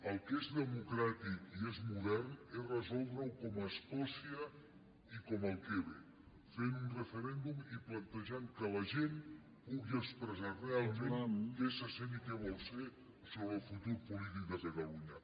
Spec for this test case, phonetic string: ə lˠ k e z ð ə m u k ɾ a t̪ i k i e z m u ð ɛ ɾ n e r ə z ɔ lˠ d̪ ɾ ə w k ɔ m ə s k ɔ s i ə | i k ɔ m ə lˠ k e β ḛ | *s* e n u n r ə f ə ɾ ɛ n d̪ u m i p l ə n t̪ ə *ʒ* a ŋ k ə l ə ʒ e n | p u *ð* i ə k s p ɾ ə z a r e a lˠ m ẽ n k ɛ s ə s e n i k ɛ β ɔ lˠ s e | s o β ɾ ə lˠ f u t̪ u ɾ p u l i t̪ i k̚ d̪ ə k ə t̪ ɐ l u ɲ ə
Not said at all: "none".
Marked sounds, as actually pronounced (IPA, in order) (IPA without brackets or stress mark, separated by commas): f, ʒ, ɣ